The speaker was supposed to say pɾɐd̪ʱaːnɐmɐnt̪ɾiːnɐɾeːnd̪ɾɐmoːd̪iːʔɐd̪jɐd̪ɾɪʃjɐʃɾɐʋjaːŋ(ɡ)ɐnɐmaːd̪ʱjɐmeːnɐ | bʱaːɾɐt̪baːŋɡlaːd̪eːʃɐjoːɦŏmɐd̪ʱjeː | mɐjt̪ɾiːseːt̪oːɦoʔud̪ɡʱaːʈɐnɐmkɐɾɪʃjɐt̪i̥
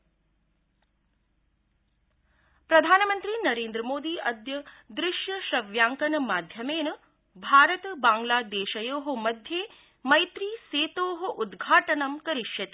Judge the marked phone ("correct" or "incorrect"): incorrect